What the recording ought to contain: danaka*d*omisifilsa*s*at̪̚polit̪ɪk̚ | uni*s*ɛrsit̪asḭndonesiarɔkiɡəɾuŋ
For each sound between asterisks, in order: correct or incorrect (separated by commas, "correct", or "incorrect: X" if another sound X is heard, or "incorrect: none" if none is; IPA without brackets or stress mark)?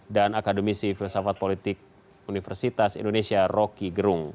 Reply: correct, incorrect: f, incorrect: f